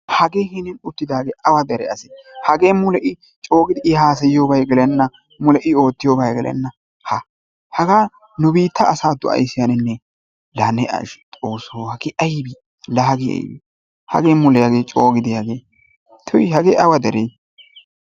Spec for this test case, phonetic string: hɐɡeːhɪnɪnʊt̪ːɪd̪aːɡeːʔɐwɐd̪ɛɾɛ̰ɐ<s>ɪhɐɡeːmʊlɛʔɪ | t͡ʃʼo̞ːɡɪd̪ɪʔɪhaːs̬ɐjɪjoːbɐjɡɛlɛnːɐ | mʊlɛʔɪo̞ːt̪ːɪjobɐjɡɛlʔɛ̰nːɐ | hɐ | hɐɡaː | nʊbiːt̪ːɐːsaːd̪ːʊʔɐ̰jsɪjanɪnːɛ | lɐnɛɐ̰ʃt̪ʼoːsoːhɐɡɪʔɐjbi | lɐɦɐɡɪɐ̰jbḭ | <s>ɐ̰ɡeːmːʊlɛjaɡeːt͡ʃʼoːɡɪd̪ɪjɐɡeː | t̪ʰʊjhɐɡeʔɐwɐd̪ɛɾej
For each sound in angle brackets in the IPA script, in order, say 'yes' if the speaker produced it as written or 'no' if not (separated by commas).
yes, no